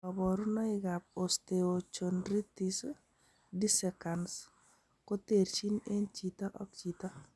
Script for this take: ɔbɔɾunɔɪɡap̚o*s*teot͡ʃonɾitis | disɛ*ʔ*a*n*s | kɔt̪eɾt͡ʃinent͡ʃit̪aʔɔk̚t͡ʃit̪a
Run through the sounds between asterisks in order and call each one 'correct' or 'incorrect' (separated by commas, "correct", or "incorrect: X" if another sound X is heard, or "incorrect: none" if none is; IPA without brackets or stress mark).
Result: correct, incorrect: k, correct